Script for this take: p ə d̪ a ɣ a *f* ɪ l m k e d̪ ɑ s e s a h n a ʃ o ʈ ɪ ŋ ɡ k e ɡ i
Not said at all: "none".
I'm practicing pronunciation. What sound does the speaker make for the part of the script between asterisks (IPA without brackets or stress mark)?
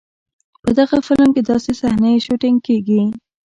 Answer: f